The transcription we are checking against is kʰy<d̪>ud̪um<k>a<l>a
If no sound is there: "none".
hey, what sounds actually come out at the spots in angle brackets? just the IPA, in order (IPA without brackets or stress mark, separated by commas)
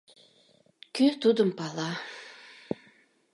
t̪, p, l